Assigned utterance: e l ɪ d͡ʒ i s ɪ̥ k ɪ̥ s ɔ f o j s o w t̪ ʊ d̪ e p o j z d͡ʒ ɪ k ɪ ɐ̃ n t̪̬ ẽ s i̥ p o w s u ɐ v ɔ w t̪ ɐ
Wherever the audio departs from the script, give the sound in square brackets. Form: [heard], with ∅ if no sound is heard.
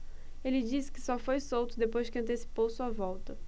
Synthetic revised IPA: e l ɪ d͡ʒ i s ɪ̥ k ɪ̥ s ɔ f o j s o w t̪ ʊ d̪ e p o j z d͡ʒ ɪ k ɪ ɐ̃ n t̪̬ [e] s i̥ p o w s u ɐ v ɔ w t̪ ɐ